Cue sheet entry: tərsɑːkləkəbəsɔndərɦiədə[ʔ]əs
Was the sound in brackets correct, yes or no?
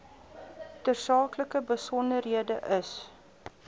yes